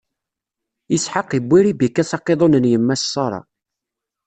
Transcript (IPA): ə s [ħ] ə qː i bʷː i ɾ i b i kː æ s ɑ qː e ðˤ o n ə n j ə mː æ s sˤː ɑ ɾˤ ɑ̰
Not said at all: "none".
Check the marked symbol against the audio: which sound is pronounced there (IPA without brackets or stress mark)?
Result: ħ